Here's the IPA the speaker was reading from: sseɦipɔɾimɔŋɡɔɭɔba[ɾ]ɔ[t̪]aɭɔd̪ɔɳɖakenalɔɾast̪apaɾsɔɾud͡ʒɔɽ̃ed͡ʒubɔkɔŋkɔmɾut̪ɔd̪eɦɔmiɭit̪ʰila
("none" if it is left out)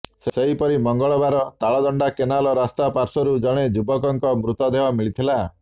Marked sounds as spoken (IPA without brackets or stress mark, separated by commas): ɾ, t̪